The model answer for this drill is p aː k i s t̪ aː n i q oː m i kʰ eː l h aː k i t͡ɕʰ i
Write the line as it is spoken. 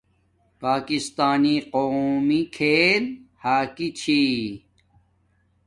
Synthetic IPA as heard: p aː k i s t̪ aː n i q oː m i kʰ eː l h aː k i t͡ɕʰ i

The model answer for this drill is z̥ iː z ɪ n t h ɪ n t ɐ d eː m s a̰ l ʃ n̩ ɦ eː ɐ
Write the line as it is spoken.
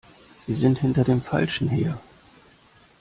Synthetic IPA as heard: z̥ iː z ɪ n t h ɪ n t ɐ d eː m f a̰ l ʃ n̩ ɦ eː ɐ

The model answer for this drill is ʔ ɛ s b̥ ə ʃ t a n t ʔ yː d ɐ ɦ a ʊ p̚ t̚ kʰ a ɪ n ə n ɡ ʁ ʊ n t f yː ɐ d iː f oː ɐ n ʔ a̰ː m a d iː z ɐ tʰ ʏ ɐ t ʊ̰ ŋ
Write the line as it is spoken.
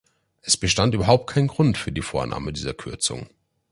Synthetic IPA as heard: ʔ ɛ s b̥ ə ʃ t a n t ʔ yː b ɐ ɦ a ʊ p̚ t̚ kʰ a ɪ n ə n ɡ ʁ ʊ n t f yː ɐ d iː f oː ɐ n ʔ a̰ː m ə d iː z ɐ kʰ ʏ ɐ t͡s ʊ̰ ŋ

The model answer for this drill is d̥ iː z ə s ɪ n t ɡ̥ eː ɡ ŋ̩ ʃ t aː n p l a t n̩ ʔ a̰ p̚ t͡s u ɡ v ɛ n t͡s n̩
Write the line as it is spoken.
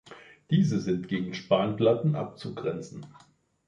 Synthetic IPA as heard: d̥ iː z ə z ɪ n t ɡ̥ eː ɡ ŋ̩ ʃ p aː n p l a t n̩ ʔ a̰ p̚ t͡s u ɡ ʁ ɛ n t͡s n̩

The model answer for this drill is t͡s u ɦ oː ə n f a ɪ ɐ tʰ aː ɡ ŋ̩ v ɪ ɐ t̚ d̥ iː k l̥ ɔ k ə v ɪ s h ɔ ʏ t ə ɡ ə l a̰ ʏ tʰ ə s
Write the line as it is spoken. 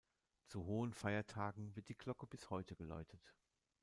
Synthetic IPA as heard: t͡s u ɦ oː ə n f a ɪ ɐ tʰ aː ɡ ŋ̩ v ɪ ɐ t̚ d̥ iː k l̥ ɔ k ə b ɪ s h ɔ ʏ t ə ɡ ə l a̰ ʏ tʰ ə t

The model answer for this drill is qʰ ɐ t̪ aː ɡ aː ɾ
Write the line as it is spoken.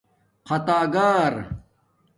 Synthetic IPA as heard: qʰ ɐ t̪ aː ɡ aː ɾ

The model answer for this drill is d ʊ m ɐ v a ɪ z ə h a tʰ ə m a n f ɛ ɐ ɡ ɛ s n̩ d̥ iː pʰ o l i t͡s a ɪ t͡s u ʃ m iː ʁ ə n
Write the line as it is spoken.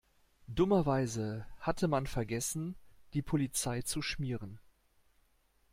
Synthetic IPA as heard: d ʊ m ɐ v a ɪ z ə h a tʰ ə m a n f ɛ ɐ ɡ ɛ s n̩ d̥ iː pʰ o l i t͡s a ɪ t͡s u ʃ m iː ʁ ə n

